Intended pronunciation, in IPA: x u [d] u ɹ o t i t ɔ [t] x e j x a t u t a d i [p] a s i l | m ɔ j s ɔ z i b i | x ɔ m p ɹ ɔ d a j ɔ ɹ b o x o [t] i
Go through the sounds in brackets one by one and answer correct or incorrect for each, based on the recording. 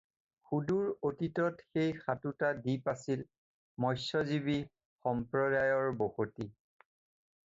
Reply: correct, correct, correct, correct

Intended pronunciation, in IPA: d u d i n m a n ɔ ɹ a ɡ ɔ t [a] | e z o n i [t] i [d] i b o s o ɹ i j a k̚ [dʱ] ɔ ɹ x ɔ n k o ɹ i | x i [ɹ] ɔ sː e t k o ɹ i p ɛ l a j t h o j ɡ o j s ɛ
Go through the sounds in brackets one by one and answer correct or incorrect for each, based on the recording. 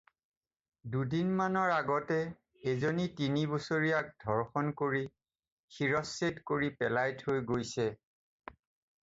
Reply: incorrect, correct, incorrect, correct, correct

